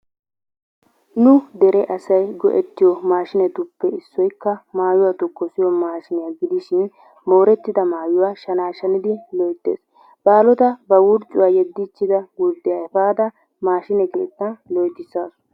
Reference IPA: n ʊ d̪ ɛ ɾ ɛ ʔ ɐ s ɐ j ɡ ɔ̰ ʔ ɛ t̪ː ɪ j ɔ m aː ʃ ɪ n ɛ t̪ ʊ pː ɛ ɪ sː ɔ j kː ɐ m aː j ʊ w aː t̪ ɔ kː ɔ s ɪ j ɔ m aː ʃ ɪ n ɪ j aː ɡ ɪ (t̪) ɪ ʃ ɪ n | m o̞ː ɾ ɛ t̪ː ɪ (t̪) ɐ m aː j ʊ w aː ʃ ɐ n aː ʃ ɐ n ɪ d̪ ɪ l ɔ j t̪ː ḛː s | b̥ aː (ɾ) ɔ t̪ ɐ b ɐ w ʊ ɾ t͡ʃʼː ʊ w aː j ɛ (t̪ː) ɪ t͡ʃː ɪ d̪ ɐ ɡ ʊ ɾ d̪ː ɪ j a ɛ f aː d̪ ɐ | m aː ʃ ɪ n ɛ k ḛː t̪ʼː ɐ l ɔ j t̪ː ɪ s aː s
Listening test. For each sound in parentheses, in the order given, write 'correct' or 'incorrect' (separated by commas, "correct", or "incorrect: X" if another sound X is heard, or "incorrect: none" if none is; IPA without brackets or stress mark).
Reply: incorrect: d̪, incorrect: d̪, incorrect: l, incorrect: d̪ː